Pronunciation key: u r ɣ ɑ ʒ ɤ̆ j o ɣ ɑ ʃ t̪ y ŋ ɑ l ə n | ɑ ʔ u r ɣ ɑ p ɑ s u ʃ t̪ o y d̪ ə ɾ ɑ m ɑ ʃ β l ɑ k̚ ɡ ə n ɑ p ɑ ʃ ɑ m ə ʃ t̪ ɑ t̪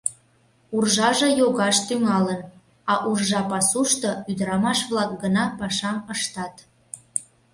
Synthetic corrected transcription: u r ʒ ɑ ʒ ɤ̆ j o ɣ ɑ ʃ t̪ y ŋ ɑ l ə n | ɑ ʔ u r ʒ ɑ p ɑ s u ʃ t̪ o y d̪ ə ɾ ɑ m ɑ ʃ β l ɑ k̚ ɡ ə n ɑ p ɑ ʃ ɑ m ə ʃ t̪ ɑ t̪